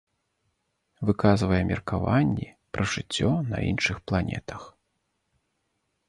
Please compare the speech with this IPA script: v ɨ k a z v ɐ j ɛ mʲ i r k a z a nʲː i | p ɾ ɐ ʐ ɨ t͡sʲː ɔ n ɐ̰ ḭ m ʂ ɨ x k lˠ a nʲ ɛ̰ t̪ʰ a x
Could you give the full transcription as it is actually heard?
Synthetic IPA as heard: v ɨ k a z v ɐ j ɛ mʲ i r k a v a nʲː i | p ɾ ɐ ʐ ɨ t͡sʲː ɔ n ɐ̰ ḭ n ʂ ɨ x p lˠ a nʲ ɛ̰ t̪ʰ ɐ x

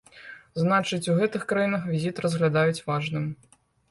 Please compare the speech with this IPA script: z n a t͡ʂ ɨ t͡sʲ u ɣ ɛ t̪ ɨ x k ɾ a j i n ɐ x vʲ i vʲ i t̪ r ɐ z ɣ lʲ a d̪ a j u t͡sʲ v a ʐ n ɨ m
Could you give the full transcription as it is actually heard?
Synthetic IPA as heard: z n a t͡ʂ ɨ t͡sʲ u ɣ ɛ t̪ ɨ x k ɾ a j i n ɐ x vʲ i zʲ i t̪ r ɐ z ɣ lʲ a d̪ a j u t͡sʲ v a ʐ n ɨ m

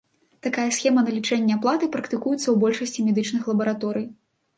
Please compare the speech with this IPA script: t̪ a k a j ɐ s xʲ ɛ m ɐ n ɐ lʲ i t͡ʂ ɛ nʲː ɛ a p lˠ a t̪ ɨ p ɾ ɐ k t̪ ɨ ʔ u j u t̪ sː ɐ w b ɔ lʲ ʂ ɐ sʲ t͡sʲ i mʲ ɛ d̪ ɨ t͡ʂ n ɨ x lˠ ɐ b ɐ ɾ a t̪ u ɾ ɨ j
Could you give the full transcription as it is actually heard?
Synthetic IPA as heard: t̪ a k a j ɐ s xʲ ɛ m ɐ n ɐ lʲ i t͡ʂ ɛ nʲː ɛ a p lˠ a t̪ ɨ p ɾ ɐ k t̪ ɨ k u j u t̪ sː ɐ w b ɔ lʲ ʂ ɐ sʲ t͡sʲ i mʲ ɛ d̪ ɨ t͡ʂ n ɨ x lˠ ɐ b ɐ ɾ a t̪ ɔ ɾ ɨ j

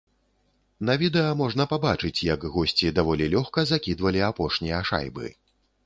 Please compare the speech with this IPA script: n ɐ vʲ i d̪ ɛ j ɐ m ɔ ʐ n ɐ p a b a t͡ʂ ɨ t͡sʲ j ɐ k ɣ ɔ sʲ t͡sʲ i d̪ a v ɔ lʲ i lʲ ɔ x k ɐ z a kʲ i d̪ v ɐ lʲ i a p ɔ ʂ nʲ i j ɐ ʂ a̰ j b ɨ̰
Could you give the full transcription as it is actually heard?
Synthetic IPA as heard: n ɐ vʲ i d̪ ɛ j ɐ m ɔ ʐ n ɐ p a b a t͡ʂ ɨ t͡sʲ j ɐ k ɣ ɔ sʲ t͡sʲ i d̪ a v ɔ lʲ i lʲ ɔ x k ɐ z a kʲ i d̪ v ɐ lʲ i a p ɔ ʂ nʲ i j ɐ ʂ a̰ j b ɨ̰

